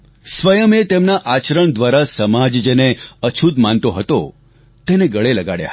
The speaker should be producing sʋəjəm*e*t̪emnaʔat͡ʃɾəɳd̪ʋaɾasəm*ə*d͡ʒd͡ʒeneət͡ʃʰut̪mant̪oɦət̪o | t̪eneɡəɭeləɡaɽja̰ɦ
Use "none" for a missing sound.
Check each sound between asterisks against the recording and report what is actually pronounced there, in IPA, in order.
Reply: e, a

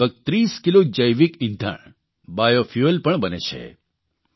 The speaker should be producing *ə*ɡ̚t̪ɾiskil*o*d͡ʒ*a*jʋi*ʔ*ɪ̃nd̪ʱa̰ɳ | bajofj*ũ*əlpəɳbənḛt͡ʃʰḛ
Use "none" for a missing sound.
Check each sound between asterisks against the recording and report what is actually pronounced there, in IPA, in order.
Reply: ə, o, ə, k, u

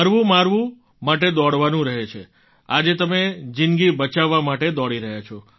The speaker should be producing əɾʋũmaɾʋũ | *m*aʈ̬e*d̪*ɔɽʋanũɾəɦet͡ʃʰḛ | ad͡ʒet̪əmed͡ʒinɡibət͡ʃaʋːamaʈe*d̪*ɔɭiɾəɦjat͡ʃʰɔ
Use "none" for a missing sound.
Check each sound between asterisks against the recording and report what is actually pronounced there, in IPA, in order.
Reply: m, d̪, d̪

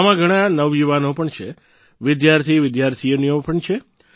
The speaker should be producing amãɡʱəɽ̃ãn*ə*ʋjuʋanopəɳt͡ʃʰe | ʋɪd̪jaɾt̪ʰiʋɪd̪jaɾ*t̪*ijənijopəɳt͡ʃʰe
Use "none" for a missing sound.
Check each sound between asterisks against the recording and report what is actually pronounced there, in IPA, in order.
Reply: ə, t̪ʰ

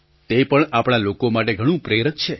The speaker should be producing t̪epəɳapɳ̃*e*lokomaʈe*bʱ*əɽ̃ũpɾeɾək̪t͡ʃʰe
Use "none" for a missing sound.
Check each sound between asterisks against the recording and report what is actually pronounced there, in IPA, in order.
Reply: a, ɡʱ

